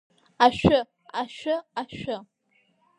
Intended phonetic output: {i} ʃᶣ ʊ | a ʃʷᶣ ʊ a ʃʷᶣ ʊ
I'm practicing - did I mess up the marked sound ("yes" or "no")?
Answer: yes